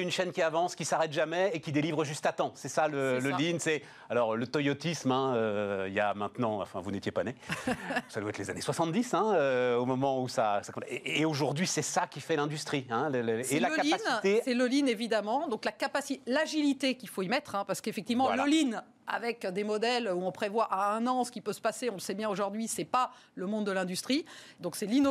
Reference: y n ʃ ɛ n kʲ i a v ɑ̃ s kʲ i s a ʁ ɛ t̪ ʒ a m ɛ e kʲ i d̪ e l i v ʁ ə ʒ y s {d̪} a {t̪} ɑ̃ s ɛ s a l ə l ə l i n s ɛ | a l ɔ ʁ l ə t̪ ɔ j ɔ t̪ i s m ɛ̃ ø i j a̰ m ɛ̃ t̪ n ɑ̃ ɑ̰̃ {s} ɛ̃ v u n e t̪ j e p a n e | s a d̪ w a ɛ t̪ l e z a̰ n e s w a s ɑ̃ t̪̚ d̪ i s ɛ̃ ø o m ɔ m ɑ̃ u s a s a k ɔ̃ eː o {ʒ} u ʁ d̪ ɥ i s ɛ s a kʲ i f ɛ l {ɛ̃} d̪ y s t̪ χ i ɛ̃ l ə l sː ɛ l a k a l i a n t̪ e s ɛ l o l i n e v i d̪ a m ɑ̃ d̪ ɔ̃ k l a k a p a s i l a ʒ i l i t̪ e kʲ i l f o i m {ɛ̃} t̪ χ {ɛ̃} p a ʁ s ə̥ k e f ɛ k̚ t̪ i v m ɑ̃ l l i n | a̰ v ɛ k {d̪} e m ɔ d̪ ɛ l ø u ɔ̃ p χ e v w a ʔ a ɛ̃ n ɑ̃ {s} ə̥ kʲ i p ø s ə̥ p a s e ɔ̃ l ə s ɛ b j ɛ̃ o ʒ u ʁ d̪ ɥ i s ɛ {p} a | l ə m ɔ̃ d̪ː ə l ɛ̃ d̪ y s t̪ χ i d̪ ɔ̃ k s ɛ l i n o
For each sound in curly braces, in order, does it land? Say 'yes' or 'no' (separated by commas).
no, yes, no, yes, yes, no, yes, yes, yes, yes